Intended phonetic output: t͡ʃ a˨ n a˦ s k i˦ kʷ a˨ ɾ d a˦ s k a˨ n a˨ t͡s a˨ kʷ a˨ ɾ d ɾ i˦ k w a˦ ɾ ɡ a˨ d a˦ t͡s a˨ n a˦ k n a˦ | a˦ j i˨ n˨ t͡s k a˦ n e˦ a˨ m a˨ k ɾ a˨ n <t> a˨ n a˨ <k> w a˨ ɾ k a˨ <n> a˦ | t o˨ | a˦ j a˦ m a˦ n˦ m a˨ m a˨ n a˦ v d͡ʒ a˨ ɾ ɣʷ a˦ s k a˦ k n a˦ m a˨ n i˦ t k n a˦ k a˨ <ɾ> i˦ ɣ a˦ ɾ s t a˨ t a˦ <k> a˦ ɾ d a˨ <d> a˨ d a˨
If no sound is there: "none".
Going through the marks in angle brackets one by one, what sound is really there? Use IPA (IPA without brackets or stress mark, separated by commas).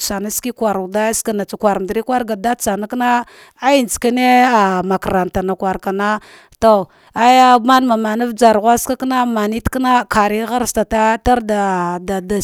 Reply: t, k, n, ɾ, t, d